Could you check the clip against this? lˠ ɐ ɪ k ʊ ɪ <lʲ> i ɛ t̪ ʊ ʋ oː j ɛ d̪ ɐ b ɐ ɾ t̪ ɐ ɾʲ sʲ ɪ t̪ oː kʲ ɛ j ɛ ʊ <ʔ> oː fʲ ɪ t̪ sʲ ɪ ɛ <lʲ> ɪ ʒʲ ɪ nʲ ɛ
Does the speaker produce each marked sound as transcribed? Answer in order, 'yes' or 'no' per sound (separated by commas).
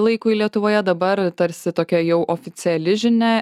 yes, yes, yes